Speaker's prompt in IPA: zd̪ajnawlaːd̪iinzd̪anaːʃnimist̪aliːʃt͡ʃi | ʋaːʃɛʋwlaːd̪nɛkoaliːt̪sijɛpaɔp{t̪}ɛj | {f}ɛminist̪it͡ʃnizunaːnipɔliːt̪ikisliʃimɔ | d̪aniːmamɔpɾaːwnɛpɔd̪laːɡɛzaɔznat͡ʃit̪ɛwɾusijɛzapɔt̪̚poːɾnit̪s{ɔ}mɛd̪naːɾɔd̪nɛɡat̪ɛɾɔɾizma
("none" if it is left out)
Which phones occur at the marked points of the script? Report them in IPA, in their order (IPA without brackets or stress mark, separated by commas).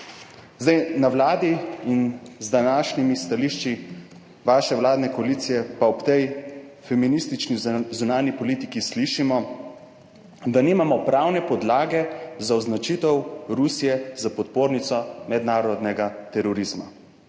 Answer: t̪, f, ɔ